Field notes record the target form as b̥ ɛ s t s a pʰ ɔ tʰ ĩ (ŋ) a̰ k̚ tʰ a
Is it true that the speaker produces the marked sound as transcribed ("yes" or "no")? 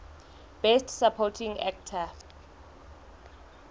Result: yes